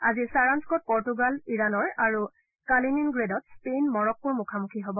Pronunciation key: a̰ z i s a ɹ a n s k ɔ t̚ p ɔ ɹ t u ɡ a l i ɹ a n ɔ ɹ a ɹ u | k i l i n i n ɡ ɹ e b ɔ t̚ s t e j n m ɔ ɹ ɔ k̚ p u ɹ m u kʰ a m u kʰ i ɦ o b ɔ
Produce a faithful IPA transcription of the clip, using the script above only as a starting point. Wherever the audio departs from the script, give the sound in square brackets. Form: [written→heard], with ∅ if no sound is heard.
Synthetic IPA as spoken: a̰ z i s a ɹ a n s k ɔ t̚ p ɔ ɹ t u ɡ a l i ɹ a n ɔ ɹ a ɹ u | k [i→a] l i n i n ɡ ɹ e [b→d] ɔ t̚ s [t→p] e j n m ɔ ɹ ɔ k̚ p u ɹ m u kʰ a m u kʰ i ɦ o b ɔ